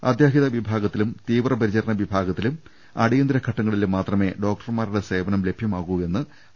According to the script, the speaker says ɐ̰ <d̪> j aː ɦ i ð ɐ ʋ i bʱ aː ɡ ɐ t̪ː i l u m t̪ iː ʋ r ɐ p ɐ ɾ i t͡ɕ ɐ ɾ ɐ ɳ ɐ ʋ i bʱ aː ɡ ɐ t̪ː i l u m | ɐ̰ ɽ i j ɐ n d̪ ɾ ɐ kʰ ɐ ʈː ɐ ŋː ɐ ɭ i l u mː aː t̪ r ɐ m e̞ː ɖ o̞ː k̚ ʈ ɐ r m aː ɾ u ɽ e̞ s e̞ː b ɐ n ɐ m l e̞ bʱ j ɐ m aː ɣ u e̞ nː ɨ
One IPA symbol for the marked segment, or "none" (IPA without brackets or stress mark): d̪